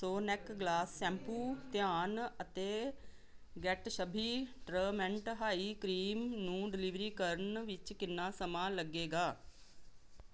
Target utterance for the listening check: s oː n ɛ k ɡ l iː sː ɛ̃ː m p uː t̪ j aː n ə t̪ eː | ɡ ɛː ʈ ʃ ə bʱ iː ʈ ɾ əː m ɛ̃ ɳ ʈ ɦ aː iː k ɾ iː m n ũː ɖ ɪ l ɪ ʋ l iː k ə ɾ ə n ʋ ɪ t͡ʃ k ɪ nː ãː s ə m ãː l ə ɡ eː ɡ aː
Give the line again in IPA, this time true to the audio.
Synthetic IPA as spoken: s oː n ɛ k ɡ l aː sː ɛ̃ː m p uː t̪ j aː n ə t̪ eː | ɡ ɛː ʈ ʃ ə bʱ iː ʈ ɾ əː m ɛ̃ ɳ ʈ ɦ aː iː k ɾ iː m n ũː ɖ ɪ l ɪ ʋ ɾ iː k ə ɾ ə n ʋ ɪ t͡ʃ k ɪ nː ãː s ə m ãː l ə ɡ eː ɡ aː

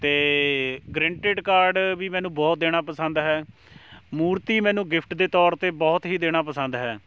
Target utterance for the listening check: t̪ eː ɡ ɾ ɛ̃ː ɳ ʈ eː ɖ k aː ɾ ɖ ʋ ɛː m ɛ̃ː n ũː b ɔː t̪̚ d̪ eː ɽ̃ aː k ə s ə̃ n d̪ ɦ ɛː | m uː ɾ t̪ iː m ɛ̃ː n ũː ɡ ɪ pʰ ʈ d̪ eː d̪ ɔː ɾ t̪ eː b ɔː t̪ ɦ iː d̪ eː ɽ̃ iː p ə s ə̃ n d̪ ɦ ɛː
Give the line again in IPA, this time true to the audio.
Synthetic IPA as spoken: t̪ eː ɡ ɾ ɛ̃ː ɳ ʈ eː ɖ k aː ɾ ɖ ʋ iː m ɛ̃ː n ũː b ɔː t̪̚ d̪ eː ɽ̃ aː p ə s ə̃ n d̪ ɦ ɛː | m uː ɾ t̪ iː m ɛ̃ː n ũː ɡ ɪ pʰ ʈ d̪ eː t̪ ɔː ɾ t̪ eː b ɔː t̪ ɦ iː d̪ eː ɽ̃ aː p ə s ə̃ n d̪ ɦ ɛː

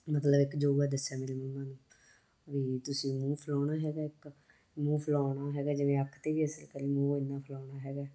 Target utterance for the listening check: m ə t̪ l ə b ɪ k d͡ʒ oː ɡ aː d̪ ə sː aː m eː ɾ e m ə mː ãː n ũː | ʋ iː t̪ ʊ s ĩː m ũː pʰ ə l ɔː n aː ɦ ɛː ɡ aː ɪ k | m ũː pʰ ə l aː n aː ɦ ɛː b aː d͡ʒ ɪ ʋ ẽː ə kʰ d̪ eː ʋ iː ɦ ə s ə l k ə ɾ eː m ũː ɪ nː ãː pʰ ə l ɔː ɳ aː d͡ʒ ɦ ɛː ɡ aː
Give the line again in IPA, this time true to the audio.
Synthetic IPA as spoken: m ə t̪ l ə b ɪ k d͡ʒ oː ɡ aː d̪ ə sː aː m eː ɾ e m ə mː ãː n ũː | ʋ iː t̪ ʊ s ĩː m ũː pʰ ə l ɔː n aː ɦ ɛː ɡ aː ɪ k | m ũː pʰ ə l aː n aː ɦ ɛː ɡ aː d͡ʒ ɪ ʋ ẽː ə kʰ t̪ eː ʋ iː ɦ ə s ə l k ə ɾ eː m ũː ɪ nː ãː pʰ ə l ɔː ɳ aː ɦ ɛː ɡ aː

